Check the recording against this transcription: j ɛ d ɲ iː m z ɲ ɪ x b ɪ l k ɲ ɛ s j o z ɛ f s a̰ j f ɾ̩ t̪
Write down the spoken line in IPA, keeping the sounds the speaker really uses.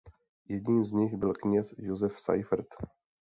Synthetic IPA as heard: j ɛ d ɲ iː m z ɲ ɪ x b ɪ l k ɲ ɛ s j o z ɛ f s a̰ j f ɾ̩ t̪